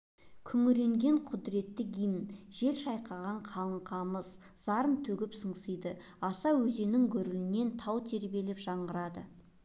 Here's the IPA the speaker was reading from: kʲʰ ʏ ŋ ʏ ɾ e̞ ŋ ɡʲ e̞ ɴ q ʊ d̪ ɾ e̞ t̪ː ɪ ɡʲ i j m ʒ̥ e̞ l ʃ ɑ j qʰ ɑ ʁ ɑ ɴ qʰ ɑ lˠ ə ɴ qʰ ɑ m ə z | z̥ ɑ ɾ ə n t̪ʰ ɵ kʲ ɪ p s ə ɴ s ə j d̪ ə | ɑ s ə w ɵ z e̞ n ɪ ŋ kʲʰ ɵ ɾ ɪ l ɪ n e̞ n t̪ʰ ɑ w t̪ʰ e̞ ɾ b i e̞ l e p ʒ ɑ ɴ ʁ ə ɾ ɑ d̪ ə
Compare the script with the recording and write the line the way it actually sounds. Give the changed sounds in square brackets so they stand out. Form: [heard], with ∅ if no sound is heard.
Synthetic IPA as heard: kʲʰ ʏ ŋ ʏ ɾ e̞ ŋ ɡʲ e̞ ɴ [qʰ] ʊ d̪ ɾ e̞ t̪ː ɪ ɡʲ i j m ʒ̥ e̞ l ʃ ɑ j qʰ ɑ ʁ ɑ ɴ qʰ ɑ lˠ ə ɴ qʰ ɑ m ə z | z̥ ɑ ɾ ə n t̪ʰ ɵ [ɡʲ] ɪ p s ə ɴ s ə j d̪ ə | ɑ s [ɑ] w ɵ z e̞ n ɪ ŋ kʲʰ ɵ ɾ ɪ l ɪ n e̞ n t̪ʰ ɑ w t̪ʰ e̞ ɾ b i e̞ l e p ʒ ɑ ɴ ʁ ə ɾ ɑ d̪ ə